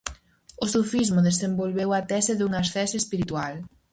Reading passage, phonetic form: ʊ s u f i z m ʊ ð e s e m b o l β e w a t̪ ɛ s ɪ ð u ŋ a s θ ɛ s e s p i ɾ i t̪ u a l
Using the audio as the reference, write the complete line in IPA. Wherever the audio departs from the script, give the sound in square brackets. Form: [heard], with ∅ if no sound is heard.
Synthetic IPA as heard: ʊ s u f i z m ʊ ð e s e m b o l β e w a t̪ ɛ s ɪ ð u ŋ a s θ ɛ s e s p i ɾ i t̪ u a l